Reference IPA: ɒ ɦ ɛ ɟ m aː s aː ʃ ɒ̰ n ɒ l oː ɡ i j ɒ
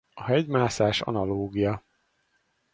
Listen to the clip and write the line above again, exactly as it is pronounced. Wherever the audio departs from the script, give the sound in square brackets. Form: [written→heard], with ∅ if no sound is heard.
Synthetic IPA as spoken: ɒ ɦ ɛ ɟ m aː s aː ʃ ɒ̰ n ɒ l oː ɡ i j ɒ